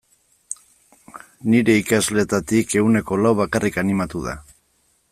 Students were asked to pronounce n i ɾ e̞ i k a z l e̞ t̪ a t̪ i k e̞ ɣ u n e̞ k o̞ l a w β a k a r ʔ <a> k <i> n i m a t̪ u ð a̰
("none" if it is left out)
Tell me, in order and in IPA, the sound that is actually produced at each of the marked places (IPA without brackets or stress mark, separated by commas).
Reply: i, a